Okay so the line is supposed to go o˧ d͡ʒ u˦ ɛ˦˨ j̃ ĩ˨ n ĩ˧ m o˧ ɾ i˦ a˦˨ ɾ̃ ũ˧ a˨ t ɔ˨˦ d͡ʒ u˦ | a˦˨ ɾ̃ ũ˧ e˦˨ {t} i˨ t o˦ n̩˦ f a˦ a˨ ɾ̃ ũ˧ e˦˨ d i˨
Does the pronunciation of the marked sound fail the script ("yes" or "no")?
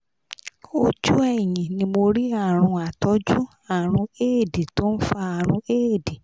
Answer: yes